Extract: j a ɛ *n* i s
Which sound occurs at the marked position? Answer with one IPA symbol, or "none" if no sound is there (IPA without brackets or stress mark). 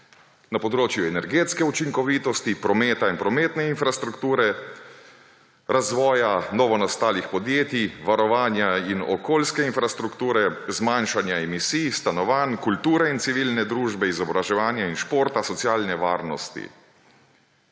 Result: m